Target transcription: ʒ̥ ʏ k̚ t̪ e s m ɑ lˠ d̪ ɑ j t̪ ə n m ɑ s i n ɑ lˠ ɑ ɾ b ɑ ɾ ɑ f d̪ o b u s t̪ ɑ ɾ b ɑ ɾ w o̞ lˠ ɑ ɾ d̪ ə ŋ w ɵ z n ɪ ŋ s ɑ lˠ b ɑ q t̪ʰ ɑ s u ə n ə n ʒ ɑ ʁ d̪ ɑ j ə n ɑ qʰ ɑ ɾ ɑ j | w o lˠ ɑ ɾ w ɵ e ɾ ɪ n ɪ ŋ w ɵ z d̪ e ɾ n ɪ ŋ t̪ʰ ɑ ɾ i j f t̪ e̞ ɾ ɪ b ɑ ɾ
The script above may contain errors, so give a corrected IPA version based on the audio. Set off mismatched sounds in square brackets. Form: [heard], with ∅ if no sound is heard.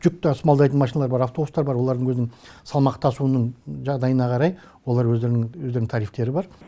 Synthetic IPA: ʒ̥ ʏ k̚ t̪ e s m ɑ lˠ d̪ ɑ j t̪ ə n m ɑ [ʃ] i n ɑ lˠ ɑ ɾ b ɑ ɾ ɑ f [t̪] o b u s t̪ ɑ ɾ b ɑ ɾ w o̞ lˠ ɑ ɾ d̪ ə ŋ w ɵ z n ɪ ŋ s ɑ lˠ [m] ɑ q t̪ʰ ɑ s u ə n ə [ɴ] ʒ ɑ ʁ d̪ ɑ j ə n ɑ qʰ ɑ ɾ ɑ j | w o lˠ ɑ ɾ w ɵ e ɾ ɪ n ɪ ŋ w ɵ z d̪ e ɾ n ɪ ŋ t̪ʰ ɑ ɾ i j f t̪ e̞ ɾ ɪ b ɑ ɾ